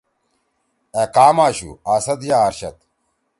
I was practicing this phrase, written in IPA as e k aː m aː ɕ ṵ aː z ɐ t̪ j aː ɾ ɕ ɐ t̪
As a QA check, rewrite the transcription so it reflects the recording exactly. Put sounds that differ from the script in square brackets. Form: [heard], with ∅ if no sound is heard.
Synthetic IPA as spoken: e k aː m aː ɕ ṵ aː [s] ɐ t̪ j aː ɾ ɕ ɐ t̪